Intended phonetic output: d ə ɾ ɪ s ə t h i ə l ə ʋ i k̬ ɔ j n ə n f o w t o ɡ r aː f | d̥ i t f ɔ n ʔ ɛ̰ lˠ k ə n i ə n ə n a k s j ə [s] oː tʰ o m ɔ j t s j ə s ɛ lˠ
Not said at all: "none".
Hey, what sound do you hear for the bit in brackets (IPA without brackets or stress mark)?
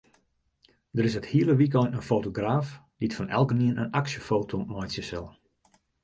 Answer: f